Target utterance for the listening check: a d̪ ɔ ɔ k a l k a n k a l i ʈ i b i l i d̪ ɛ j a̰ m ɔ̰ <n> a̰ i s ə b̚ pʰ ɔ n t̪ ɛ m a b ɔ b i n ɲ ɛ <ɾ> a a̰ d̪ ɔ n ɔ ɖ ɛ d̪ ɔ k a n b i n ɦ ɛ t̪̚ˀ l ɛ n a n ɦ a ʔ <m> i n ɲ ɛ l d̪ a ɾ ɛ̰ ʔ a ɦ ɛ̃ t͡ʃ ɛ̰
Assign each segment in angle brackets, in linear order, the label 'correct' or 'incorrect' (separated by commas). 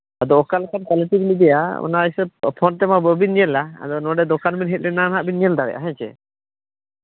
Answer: correct, incorrect, incorrect